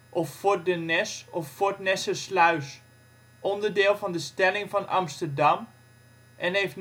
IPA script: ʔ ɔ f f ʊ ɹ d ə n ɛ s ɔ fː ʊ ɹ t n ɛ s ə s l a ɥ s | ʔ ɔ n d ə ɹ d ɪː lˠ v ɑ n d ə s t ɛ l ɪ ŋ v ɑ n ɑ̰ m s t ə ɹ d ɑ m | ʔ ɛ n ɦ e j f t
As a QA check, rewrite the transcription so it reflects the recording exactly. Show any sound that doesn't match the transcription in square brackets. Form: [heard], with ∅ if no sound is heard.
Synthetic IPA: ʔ ɔ f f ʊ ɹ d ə n ɛ s ɔ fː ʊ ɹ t n ɛ s ə s l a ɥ s | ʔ ɔ n d ə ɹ d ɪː lˠ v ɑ n d ə s t ɛ l ɪ ŋ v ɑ n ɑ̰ m s t ə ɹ d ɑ m | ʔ ɛ n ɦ e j f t